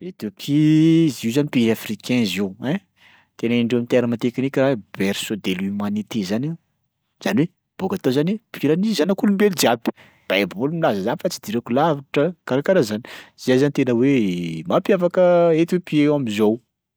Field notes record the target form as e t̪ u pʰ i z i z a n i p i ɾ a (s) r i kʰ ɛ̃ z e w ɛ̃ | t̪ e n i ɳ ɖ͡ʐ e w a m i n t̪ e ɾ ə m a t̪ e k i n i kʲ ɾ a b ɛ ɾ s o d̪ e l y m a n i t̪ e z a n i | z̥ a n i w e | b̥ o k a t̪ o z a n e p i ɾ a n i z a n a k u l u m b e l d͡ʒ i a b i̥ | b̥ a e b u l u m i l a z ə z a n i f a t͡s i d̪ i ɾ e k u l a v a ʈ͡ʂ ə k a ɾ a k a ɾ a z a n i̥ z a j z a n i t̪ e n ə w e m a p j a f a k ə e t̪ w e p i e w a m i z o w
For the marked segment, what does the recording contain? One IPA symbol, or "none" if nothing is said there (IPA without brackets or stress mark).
f